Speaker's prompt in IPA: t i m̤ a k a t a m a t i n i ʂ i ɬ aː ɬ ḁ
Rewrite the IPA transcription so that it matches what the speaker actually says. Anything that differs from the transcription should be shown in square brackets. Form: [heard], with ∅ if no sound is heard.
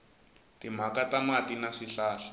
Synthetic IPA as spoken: t i m̤ a k a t a m a t i n [a] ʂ i ɬ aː ɬ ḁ